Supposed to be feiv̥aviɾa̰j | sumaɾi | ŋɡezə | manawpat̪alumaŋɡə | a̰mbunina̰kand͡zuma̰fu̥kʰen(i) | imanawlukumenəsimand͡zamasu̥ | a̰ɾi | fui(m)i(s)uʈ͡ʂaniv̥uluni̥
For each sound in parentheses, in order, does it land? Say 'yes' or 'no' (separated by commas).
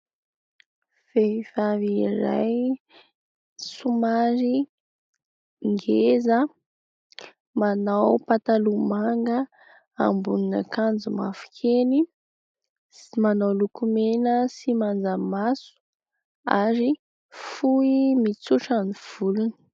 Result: yes, yes, no